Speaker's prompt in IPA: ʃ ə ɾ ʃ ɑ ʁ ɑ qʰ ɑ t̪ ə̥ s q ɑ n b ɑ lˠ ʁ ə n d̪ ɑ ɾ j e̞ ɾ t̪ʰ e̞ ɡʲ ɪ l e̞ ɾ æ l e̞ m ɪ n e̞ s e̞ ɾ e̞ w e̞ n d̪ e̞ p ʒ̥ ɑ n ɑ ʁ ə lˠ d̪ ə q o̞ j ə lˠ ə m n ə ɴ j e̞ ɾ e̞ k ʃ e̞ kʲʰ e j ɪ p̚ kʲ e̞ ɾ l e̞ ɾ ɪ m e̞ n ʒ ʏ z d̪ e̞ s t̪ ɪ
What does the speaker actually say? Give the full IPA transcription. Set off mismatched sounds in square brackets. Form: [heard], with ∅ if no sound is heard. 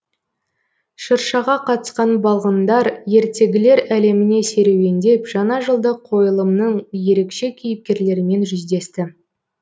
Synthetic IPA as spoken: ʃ ə ɾ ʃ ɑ ʁ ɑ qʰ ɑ t̪ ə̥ s q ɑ n b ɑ lˠ ʁ ə n d̪ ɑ ɾ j e̞ ɾ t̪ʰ e̞ ɡʲ ɪ l e̞ ɾ æ l e̞ m ɪ n e̞ s e̞ ɾ e̞ w e̞ n d̪ e̞ p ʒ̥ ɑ n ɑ [ʒ] ə lˠ d̪ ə [qʰ] o̞ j ə lˠ ə m n ə ɴ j e̞ ɾ e̞ k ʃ e̞ kʲʰ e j ɪ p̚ kʲ e̞ ɾ l e̞ ɾ ɪ m e̞ n ʒ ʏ z d̪ e̞ s t̪ ɪ

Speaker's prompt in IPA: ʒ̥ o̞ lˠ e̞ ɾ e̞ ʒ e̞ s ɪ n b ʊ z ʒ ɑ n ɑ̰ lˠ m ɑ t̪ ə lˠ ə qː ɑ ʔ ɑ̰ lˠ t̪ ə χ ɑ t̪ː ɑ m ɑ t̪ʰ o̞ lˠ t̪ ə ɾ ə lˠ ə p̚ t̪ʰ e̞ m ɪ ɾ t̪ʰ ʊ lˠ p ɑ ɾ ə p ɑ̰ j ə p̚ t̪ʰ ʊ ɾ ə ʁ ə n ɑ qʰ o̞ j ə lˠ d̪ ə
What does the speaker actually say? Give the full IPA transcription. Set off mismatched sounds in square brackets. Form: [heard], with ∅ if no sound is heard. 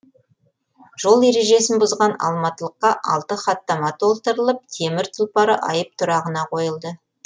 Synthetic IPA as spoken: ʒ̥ o̞ lˠ e̞ ɾ e̞ ʒ e̞ s ɪ n b ʊ z [ʁ] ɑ n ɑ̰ lˠ m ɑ t̪ ə lˠ ə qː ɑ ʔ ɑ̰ lˠ t̪ ə χ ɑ t̪ː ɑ m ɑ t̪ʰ o̞ lˠ t̪ ə ɾ ə lˠ ə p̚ t̪ʰ e̞ m ɪ ɾ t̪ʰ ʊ lˠ p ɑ ɾ ə [ʔ] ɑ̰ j ə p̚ t̪ʰ ʊ ɾ [ɑ] ʁ ə n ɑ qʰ o̞ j ə lˠ d̪ ə

